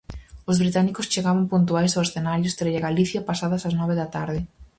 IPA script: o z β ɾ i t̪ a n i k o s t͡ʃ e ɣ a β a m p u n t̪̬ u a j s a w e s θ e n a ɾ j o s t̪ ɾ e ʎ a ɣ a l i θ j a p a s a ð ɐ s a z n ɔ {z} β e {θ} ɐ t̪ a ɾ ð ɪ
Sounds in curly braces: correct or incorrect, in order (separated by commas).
incorrect, incorrect